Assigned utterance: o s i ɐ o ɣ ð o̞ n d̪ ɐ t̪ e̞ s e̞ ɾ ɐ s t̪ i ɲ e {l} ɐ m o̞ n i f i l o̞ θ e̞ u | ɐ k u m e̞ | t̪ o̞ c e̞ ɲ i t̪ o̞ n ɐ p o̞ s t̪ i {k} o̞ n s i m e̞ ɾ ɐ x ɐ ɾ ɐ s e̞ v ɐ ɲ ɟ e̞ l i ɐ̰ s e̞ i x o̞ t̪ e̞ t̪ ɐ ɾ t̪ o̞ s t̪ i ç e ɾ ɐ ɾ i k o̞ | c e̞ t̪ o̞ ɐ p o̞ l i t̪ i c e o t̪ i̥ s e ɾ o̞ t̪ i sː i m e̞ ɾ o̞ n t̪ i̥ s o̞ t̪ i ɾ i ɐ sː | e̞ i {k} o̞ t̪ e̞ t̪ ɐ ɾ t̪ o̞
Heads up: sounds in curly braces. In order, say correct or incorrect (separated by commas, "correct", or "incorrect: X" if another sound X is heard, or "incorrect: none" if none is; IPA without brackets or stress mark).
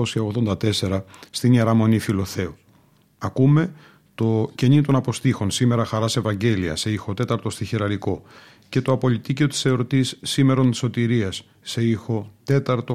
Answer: incorrect: ɾ, incorrect: x, incorrect: x